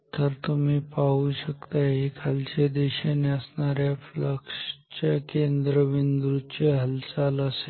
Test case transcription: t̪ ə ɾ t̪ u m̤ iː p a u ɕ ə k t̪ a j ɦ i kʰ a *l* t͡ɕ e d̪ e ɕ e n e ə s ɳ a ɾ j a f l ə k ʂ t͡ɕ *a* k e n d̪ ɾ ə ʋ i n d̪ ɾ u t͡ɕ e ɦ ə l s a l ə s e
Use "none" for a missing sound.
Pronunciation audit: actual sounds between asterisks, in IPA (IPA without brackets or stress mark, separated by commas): l, a